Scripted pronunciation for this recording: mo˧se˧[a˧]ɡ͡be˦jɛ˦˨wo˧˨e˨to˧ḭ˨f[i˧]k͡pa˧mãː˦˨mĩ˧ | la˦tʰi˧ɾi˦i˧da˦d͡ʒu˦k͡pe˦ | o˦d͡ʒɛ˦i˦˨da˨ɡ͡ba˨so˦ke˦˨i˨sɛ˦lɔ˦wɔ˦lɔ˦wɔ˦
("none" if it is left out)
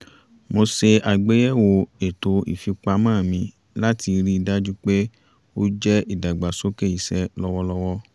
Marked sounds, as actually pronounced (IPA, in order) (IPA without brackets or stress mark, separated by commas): a˧, i˧